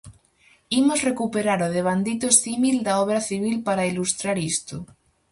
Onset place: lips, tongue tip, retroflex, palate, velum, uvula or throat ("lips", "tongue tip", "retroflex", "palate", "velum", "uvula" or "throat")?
lips